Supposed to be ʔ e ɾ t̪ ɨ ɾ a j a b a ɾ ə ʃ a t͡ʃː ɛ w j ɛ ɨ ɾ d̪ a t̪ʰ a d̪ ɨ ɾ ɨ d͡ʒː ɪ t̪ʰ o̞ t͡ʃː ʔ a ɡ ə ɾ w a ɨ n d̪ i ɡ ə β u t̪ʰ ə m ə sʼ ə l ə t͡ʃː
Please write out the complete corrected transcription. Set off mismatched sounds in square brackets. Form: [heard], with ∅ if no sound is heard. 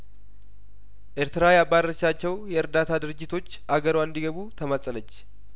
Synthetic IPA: ʔ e ɾ t̪ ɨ ɾ a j a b a ɾ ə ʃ a t͡ʃː ɛ w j ɛ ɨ ɾ d̪ a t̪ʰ a d̪ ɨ ɾ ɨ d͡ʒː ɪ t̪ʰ o̞ t͡ʃː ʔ a ɡ ə ɾ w a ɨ n d̪ i ɡ ə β u t̪ʰ ə m ə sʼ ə l ə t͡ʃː